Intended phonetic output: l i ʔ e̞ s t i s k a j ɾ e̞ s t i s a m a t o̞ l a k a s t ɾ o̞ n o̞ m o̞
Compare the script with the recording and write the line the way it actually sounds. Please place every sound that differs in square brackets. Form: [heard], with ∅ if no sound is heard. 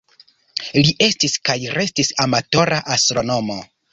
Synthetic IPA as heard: l i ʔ e̞ s t i s k a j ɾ e̞ s t i s a m a t o̞ [ɾ] a [ʔ] a s t ɾ o̞ n o̞ m o̞

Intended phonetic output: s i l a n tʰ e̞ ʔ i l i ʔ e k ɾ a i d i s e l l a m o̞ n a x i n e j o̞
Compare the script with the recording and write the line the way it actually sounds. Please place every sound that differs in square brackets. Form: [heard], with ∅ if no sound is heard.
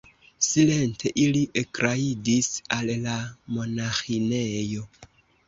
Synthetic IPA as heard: s i l [e] n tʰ e̞ ʔ i l i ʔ e k ɾ a i d i s [a] l l a m o̞ n a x i n e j o̞

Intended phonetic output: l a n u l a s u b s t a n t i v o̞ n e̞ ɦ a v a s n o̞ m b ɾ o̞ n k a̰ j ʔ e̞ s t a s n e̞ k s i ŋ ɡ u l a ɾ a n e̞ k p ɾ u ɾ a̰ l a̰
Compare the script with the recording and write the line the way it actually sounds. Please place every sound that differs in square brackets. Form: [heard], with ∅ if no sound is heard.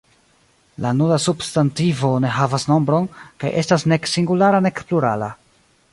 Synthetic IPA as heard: l a n u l a s u b s t a n t i v o̞ n e̞ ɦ a v a s n o̞ m b ɾ o̞ n k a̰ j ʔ e̞ s t a s n e̞ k s i ŋ ɡ u l a ɾ a n e̞ k p [l] u ɾ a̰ l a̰

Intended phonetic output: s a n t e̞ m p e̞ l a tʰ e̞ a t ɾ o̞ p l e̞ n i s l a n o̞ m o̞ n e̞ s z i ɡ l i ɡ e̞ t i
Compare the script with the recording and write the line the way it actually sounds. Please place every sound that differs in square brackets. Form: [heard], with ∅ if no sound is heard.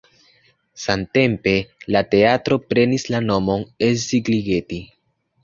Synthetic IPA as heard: s a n t e̞ m p e̞ l a [t] e̞ a t ɾ o̞ p [ɾ] e̞ n i s l a n o̞ m o̞ n e̞ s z i ɡ l i ɡ e̞ t i

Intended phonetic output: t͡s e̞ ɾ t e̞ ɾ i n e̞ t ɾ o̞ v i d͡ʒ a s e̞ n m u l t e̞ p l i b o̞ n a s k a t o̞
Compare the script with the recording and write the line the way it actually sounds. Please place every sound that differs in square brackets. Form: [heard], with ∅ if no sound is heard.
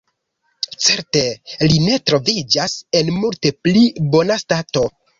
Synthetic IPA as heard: t͡s e̞ ɾ t e̞ [l] i n e̞ t ɾ o̞ v i d͡ʒ a s e̞ n m u l t e̞ p l i b o̞ n a s [t] a t o̞

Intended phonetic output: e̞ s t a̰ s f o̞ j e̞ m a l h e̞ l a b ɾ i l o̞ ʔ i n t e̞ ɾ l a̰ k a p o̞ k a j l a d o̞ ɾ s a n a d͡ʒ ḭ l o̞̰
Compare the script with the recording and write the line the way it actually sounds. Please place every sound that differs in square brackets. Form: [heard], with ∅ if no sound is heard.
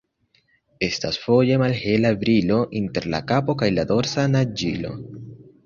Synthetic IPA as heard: e̞ s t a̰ s f o̞ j e̞ m a l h e̞ l a b ɾ i l o̞ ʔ i n t e̞ ɾ l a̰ k a p o̞ k a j l a d o̞ ɾ s a n a d͡ʒ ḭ l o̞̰

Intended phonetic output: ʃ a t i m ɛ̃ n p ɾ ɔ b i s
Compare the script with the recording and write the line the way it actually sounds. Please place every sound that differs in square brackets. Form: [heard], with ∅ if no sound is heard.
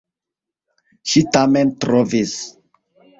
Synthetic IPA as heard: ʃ [i] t [a] m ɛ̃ n [t] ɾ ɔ [v] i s

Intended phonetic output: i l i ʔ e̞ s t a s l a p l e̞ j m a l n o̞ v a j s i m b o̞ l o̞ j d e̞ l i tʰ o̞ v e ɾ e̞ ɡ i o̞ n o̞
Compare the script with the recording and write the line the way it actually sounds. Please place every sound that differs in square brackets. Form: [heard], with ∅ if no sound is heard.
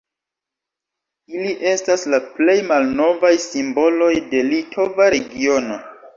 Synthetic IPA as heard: i l i ʔ e̞ s t a s l a p l e̞ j m a l n o̞ v a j s i m b o̞ l o̞ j d e̞ l i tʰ o̞ v [a] ɾ e̞ ɡ i o̞ n o̞

